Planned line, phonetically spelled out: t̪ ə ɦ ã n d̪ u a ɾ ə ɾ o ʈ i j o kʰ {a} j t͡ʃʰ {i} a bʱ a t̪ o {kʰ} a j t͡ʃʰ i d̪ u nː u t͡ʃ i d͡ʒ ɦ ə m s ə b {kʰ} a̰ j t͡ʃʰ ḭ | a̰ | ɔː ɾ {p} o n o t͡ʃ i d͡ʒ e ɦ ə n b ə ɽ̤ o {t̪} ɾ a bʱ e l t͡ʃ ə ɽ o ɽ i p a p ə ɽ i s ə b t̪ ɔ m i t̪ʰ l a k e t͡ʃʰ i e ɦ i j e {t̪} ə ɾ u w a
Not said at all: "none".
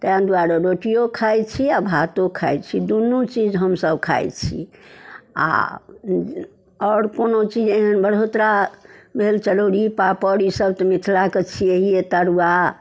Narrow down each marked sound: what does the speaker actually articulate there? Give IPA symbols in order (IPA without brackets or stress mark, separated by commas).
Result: a, i, kʰ, kʰ, k, t̪, t̪